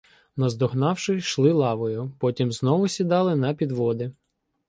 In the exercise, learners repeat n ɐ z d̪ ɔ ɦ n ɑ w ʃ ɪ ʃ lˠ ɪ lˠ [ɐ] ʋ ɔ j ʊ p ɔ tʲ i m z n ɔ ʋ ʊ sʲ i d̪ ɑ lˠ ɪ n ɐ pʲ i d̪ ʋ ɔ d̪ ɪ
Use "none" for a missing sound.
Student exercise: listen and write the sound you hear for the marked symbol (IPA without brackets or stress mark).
ɑ